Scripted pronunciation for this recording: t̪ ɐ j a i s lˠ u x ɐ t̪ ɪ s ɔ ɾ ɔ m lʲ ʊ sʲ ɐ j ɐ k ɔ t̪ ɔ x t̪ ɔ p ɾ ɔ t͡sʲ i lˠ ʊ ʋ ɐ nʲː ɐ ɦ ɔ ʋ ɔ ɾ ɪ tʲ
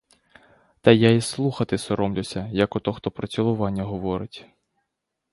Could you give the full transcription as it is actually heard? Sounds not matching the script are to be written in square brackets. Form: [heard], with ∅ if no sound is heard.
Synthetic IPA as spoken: t̪ ɐ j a i s lˠ u x ɐ t̪ ɪ s ɔ ɾ ɔ m lʲ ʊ sʲ ɐ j ɐ k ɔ t̪ ɔ x t̪ ɔ p ɾ ɔ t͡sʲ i lˠ ʊ ʋ [ɑ] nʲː ɐ ɦ ɔ ʋ ɔ ɾ ɪ tʲ